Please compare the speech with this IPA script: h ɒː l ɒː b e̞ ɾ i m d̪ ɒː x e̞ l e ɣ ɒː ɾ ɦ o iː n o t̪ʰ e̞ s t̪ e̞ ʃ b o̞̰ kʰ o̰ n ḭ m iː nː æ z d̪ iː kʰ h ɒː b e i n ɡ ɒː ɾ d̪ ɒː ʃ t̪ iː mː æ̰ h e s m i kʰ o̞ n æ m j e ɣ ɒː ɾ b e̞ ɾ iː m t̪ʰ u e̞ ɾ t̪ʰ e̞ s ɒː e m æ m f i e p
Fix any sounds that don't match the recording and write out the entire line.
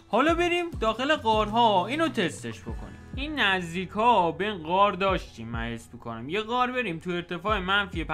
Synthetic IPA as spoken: h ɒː l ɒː b e̞ ɾ i m d̪ ɒː x e̞ l e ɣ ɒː ɾ ɦ ɒ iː n o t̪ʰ e̞ s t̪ e̞ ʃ b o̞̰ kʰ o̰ n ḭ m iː nː æ z d̪ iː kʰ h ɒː b e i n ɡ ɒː ɾ d̪ ɒː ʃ t̪ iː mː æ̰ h e s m i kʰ o̞ n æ m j e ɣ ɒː ɾ b e̞ ɾ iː m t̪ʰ u e̞ ɾ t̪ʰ e̞ f ɒː e m æ n f i e p